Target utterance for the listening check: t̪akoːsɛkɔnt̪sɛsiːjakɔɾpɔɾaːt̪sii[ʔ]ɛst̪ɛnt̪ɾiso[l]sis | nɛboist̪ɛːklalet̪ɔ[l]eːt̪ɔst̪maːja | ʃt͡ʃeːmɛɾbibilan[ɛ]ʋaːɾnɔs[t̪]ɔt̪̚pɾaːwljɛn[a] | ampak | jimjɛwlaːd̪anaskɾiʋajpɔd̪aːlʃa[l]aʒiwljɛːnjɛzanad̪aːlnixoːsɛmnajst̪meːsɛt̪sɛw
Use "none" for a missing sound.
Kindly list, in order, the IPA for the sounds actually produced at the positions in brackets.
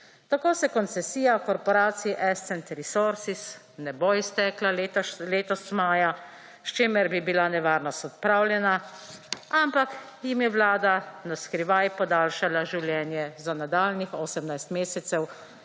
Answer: ʔ, ɾ, l, ɛ, t̪, a, l

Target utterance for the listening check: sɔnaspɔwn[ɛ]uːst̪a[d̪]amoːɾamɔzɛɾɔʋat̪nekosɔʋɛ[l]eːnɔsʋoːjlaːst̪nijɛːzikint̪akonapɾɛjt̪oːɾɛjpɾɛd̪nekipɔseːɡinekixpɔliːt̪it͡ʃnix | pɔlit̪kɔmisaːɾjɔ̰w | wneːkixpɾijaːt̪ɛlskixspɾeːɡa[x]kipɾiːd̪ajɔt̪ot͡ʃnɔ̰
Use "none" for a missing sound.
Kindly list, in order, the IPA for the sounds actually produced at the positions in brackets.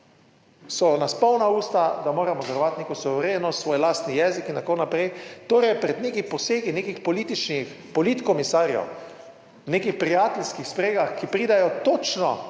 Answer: a, d̪, ɾ, x

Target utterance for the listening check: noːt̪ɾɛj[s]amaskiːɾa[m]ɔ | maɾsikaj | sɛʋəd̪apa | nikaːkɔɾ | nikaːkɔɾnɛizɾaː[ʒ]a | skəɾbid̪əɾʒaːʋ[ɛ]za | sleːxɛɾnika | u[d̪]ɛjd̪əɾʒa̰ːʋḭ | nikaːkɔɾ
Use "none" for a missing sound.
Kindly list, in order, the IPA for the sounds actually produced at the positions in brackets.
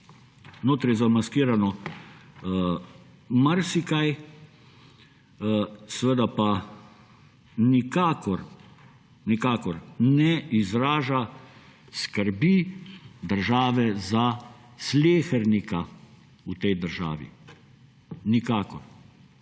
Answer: z, n, ʒ, ɛ, t̪

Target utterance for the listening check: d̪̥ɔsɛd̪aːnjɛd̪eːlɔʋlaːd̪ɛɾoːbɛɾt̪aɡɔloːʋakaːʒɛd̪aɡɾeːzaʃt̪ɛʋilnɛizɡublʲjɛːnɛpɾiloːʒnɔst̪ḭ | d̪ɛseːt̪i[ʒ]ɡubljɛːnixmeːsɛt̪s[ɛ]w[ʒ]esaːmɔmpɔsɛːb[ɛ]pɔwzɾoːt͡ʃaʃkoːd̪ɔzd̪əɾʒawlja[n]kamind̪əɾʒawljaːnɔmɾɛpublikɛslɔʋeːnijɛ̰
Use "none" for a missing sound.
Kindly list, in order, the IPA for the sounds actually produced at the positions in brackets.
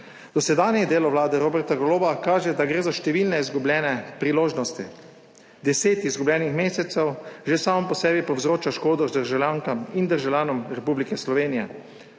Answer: z, ɛ, ʒ, i, ŋ

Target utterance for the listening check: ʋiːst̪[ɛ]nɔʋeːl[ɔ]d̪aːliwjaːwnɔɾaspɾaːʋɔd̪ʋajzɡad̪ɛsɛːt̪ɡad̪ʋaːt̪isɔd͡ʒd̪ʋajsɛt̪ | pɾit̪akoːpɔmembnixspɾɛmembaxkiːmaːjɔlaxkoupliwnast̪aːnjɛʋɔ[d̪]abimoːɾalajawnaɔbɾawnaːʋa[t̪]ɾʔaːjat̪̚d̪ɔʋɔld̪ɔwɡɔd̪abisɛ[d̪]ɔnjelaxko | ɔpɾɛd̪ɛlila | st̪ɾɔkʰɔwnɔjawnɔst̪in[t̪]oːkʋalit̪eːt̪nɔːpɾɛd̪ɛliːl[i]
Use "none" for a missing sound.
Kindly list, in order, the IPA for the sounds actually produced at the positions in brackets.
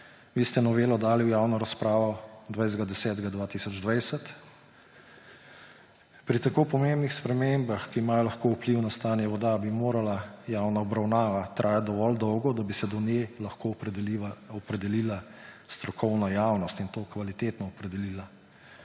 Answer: ɛ, ɔ, d̪, t̪, d̪, t̪, a

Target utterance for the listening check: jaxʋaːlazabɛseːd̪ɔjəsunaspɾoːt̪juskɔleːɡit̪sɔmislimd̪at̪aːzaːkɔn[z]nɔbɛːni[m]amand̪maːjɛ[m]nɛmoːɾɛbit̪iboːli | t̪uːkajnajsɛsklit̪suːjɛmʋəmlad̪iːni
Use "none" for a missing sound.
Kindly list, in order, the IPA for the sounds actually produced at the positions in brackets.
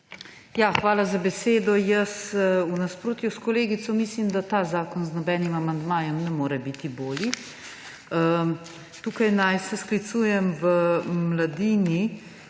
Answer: z, m, m

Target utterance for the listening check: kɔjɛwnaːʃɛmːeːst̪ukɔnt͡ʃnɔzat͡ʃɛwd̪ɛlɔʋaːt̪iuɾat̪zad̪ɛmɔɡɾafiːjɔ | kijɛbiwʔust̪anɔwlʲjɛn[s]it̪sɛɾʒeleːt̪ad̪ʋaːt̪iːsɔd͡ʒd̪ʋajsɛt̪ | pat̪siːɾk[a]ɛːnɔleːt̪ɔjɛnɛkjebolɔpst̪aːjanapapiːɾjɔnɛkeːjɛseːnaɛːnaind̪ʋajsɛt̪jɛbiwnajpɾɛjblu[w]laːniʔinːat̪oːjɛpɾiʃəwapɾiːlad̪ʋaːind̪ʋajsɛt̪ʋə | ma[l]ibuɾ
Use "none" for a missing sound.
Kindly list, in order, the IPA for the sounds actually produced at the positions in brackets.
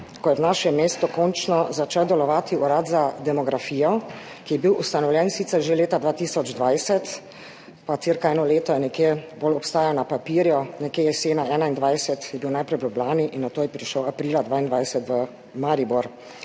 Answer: s, a, b, ɾ

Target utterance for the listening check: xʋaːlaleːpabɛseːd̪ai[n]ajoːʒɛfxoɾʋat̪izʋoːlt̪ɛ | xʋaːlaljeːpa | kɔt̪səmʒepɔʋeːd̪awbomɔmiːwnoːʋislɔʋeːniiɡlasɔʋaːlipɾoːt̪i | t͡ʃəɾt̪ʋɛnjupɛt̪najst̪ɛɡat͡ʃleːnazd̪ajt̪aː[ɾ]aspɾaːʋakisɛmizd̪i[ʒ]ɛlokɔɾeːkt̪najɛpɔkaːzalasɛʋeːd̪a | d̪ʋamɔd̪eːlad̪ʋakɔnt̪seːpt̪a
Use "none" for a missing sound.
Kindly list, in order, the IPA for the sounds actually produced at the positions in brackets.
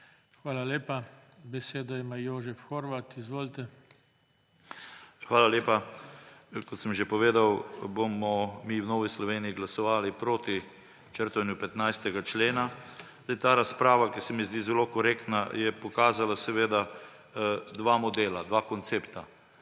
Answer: m, ɾ, z

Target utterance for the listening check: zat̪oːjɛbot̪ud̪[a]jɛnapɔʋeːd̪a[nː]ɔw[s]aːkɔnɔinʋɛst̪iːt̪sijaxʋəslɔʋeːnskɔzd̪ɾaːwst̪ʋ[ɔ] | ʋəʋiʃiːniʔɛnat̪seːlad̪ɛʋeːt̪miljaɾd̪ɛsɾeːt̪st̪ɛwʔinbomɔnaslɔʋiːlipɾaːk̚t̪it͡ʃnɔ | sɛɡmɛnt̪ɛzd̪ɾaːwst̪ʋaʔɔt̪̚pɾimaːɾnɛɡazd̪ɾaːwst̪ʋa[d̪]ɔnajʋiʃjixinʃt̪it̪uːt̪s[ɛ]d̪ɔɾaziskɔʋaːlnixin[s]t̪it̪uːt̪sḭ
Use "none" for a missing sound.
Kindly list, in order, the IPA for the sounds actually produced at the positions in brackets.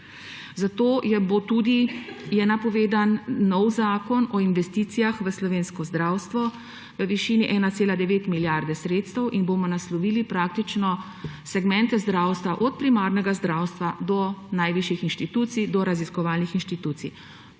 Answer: i, nː, z, ɔ, d̪, i, ʃ

